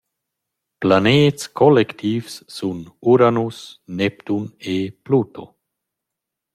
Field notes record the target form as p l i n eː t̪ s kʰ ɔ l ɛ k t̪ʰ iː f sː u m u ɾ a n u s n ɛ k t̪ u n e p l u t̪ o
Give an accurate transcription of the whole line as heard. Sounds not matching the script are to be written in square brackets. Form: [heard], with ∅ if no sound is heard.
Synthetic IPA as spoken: p l [a] n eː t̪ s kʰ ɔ l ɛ k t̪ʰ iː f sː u [n] u ɾ a n u s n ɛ [p] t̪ u n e p l u t̪ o